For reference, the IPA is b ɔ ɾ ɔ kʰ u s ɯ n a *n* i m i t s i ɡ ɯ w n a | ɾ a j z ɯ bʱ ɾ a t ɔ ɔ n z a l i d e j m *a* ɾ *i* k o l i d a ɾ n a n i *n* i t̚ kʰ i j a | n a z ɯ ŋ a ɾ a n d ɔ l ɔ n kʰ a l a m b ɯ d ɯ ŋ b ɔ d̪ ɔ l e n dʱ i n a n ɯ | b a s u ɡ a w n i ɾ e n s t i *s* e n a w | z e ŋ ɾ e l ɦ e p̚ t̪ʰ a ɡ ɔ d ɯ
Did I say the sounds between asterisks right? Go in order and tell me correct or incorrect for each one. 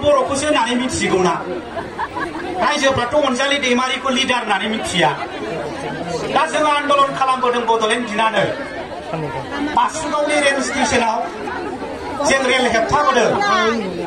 correct, correct, correct, incorrect: m, correct

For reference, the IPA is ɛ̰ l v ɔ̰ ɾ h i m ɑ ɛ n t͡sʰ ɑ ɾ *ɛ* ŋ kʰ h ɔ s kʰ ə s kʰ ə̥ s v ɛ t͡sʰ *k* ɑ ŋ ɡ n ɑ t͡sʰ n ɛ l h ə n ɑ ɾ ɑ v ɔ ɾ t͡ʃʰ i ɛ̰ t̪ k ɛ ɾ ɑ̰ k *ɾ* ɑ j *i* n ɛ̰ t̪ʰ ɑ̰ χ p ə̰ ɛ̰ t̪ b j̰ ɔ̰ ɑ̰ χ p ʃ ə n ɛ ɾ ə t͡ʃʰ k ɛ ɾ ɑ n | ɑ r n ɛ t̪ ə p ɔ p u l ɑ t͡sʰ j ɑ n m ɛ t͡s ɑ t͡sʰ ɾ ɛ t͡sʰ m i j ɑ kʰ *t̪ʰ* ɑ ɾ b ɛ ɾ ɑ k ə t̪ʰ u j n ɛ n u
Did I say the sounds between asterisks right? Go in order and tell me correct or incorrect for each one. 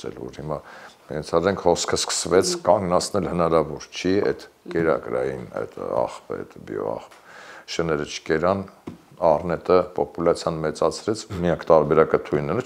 correct, correct, correct, correct, incorrect: t̪

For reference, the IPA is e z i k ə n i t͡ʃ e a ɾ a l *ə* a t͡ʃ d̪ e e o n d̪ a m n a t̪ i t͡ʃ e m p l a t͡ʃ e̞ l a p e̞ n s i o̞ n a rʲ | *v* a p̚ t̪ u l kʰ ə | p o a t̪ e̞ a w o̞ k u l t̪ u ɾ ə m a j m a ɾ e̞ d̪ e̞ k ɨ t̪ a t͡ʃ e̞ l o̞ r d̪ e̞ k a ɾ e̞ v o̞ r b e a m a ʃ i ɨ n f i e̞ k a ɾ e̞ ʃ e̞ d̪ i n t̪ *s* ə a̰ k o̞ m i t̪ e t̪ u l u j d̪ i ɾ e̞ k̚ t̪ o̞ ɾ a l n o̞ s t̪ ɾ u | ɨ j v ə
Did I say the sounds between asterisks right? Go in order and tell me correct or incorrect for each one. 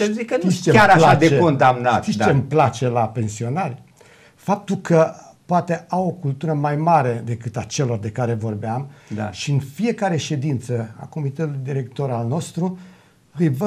incorrect: a, incorrect: f, correct

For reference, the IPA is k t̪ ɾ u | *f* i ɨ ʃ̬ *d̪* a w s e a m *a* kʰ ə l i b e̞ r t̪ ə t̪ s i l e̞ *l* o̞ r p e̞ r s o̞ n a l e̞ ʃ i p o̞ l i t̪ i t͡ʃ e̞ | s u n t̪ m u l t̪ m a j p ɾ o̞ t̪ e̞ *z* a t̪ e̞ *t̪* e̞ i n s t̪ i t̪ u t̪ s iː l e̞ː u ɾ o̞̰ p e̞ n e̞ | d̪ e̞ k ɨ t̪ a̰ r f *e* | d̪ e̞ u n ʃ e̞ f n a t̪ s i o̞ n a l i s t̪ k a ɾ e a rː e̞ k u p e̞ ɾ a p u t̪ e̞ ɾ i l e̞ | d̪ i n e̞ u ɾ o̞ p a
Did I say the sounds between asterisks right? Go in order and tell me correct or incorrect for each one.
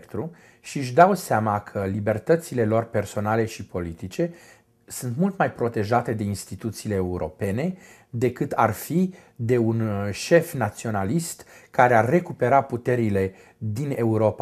incorrect: ʃ, correct, correct, correct, incorrect: ʒ, incorrect: d̪, incorrect: i

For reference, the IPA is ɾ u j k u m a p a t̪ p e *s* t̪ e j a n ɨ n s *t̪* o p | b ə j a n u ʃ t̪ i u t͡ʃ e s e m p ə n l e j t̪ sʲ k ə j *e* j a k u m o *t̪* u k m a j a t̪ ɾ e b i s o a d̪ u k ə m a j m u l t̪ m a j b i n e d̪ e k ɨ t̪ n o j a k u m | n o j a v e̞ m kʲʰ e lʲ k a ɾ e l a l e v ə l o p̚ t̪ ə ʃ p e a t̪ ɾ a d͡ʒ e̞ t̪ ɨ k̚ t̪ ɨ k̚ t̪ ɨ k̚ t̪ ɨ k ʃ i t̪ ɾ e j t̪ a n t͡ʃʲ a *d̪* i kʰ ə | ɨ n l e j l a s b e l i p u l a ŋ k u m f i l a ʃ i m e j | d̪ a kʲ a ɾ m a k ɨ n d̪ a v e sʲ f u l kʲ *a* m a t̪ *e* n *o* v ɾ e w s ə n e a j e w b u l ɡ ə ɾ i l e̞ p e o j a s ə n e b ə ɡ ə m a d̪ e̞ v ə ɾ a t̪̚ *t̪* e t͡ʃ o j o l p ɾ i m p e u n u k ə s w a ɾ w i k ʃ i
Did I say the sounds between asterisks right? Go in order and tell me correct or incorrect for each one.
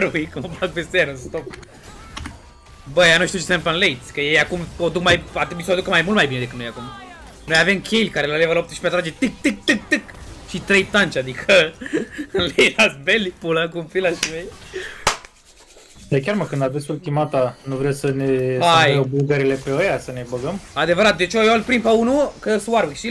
correct, correct, correct, incorrect: d̪, correct, incorrect: i, incorrect: a, incorrect: u, incorrect: d̪

